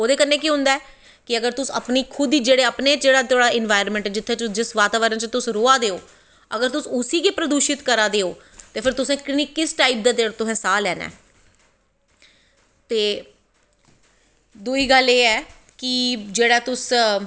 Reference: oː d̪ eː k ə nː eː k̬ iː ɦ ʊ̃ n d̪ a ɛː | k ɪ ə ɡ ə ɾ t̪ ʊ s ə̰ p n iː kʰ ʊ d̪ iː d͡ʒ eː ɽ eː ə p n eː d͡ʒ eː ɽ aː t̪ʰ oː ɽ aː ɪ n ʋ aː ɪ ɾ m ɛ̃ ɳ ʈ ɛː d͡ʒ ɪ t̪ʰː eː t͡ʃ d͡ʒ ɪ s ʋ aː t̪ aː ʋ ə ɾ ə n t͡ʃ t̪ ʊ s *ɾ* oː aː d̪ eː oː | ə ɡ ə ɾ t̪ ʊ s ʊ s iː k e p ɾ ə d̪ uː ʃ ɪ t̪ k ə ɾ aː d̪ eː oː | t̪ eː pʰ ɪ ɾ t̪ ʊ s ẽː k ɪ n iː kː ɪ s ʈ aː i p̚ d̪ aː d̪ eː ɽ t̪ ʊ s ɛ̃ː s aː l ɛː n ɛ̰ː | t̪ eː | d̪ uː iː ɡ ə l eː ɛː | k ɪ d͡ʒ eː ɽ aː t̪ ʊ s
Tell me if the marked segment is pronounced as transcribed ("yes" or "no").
yes